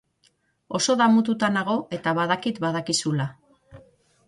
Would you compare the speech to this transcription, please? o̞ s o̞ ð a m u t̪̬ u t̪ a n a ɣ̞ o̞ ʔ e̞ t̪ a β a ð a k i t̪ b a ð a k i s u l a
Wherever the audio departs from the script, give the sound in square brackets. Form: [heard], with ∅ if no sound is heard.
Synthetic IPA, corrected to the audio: o̞ s o̞ ð a m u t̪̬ u t̪ a n a ɣ̞ o̞ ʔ e̞ t̪ a β a ð a k i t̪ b a ð a k i s u l a